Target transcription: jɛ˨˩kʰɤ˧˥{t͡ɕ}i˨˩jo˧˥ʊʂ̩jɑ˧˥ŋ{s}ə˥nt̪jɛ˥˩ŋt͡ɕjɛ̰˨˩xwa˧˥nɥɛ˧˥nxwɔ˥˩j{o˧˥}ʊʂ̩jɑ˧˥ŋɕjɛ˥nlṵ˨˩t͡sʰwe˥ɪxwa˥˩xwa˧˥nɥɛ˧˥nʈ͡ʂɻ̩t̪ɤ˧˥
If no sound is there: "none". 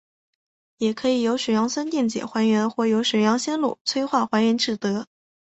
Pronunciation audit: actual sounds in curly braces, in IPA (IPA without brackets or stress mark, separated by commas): none, s, o˧˥